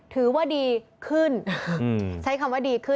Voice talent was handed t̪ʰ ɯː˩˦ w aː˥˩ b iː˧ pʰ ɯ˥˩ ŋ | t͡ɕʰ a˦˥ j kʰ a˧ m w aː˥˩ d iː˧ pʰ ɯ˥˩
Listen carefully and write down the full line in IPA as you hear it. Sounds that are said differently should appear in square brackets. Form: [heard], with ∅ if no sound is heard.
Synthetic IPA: t̪ʰ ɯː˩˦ w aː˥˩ [d] iː˧ [kʰ] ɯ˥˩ [n] | t͡ɕʰ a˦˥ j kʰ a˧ m w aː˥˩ d iː˧ [kʰ] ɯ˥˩